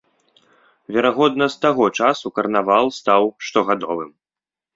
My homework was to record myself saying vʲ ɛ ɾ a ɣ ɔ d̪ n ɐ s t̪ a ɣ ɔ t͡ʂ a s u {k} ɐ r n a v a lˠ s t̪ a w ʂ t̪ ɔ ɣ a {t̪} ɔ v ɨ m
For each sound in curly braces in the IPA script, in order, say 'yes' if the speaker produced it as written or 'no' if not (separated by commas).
yes, no